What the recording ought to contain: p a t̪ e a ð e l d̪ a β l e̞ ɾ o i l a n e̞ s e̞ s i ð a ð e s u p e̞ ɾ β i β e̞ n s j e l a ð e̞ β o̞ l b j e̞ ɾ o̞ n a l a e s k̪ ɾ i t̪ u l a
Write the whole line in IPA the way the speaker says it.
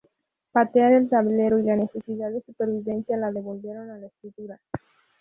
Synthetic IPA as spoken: p a t̪ e a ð e l t̪ a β l e̞ ɾ o i l a n e̞ s e̞ s i ð a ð e s u p e̞ ɾ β i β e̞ n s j a l a ð e̞ β o̞ l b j e̞ ɾ o̞ n a l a e s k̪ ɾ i t̪ u ɾ a